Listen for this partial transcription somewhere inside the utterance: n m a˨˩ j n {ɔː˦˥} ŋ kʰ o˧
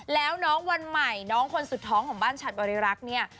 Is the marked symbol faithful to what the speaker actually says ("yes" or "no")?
yes